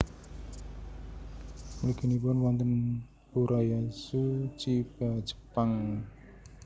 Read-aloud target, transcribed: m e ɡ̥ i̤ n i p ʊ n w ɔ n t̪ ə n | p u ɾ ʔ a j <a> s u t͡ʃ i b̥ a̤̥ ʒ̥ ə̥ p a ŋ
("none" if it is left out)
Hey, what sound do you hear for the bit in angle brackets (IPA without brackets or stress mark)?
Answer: a